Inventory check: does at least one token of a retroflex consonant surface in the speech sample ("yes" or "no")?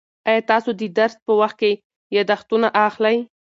no